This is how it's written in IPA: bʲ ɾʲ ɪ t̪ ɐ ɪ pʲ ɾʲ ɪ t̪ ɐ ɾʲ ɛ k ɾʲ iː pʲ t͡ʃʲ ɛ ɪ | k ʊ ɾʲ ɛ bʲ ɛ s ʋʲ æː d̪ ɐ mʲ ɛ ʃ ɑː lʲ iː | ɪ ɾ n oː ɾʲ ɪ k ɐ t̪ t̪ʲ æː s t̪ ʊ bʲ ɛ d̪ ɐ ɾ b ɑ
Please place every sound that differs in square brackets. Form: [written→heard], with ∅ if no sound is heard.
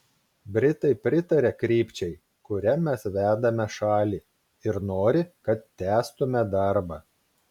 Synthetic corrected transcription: bʲ ɾʲ ɪ t̪ ɐ ɪ pʲ ɾʲ ɪ t̪ ɐ ɾʲ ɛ k ɾʲ iː pʲ t͡ʃʲ ɛ ɪ | k ʊ ɾʲ ɛ [bʲ→mʲ] ɛ s ʋʲ æː d̪ ɐ mʲ ɛ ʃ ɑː lʲ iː | ɪ ɾ n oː ɾʲ ɪ k ɐ t̪ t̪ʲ æː s t̪ ʊ [bʲ→mʲ] ɛ d̪ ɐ ɾ b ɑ